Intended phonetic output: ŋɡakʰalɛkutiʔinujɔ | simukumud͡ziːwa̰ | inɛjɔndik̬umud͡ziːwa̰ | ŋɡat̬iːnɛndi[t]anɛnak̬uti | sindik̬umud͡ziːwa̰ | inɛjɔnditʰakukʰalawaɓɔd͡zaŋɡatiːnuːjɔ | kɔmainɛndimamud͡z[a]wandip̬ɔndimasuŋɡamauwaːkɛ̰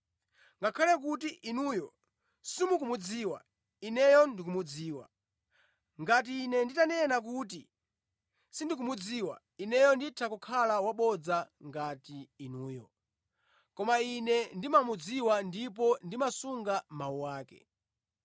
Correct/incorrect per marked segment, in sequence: correct, incorrect

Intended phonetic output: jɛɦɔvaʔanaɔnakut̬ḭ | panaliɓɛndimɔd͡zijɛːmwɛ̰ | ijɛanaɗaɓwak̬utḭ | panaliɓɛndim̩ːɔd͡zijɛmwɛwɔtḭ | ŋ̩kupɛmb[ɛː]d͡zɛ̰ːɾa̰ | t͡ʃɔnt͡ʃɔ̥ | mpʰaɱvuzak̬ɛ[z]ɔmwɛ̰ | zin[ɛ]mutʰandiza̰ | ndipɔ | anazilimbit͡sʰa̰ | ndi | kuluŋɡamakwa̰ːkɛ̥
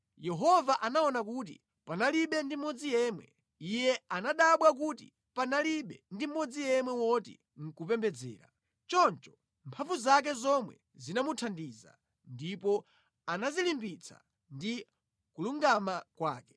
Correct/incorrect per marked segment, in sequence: incorrect, correct, incorrect

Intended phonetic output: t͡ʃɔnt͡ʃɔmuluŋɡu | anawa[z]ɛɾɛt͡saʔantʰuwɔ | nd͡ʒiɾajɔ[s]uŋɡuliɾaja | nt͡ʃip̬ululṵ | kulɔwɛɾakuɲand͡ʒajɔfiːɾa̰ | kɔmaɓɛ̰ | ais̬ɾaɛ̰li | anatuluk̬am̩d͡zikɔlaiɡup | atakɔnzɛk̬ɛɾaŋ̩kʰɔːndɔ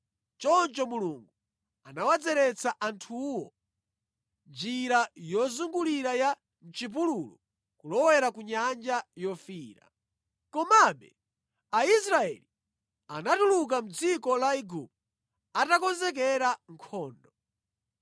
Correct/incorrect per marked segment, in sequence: incorrect, incorrect

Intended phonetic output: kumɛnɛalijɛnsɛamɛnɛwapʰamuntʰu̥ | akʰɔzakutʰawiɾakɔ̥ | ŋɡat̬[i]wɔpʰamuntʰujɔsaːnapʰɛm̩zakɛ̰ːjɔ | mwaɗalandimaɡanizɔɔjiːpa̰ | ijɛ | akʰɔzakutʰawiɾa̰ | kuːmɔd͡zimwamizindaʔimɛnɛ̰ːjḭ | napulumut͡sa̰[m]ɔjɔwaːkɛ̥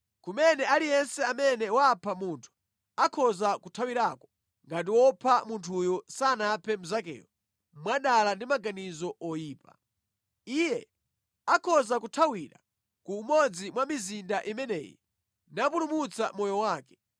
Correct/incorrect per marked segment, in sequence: correct, correct

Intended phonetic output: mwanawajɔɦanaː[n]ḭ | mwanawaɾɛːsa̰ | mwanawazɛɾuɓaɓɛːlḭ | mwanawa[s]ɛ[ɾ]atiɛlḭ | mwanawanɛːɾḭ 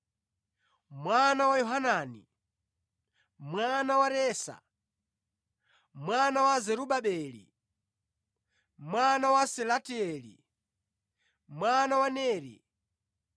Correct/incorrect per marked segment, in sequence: correct, correct, incorrect

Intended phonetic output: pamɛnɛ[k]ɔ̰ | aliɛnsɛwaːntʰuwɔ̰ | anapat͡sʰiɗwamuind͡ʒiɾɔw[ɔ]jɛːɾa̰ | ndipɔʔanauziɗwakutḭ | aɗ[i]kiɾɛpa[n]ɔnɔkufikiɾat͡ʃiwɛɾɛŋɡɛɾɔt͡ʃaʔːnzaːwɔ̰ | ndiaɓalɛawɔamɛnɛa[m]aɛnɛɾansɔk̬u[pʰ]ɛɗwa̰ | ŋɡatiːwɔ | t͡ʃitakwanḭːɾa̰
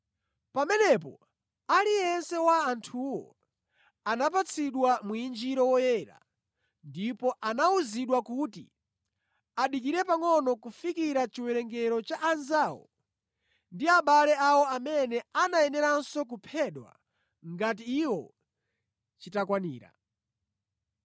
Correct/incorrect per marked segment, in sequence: incorrect, correct, correct, incorrect, incorrect, correct

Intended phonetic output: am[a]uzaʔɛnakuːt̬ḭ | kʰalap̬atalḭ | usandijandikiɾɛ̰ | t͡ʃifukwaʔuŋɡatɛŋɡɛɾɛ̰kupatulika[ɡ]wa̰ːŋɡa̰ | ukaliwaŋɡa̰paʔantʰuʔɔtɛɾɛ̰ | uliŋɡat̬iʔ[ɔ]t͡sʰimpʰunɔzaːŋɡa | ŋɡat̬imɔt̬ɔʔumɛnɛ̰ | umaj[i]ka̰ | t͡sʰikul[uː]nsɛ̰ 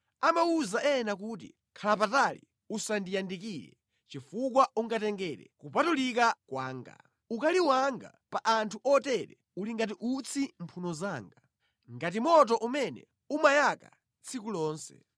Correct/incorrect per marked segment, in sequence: correct, incorrect, incorrect, incorrect, incorrect

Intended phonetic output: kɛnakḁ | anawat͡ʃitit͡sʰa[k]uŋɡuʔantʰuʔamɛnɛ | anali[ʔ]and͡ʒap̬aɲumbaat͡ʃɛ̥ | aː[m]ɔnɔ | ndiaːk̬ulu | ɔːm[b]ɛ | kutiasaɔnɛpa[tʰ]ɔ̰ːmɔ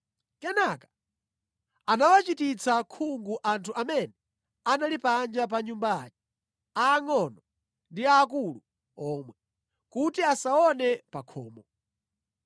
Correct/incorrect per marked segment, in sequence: incorrect, incorrect, incorrect, incorrect, incorrect

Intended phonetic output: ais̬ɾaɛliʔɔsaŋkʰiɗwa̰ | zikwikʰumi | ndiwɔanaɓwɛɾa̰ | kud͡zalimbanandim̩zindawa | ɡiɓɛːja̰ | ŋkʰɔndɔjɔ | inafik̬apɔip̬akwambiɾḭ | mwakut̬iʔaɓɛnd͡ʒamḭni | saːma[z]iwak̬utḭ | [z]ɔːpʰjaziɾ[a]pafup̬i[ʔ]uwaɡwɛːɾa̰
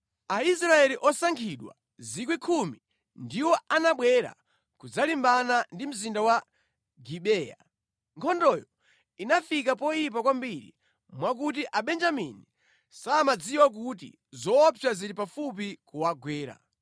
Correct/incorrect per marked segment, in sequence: incorrect, correct, incorrect, incorrect

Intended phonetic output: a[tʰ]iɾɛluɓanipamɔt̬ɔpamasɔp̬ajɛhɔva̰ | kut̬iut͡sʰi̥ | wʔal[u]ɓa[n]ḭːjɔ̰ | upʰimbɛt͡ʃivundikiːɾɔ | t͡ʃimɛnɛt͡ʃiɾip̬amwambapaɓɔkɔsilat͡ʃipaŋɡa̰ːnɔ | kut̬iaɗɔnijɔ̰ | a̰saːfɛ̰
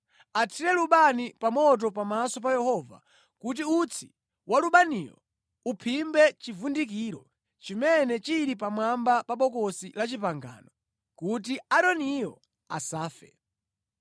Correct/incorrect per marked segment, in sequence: correct, correct, correct

